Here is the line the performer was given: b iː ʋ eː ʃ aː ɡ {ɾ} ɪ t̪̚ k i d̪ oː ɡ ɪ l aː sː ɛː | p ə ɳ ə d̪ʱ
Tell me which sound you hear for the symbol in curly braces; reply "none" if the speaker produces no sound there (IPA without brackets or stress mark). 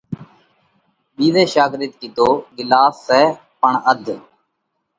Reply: ɾ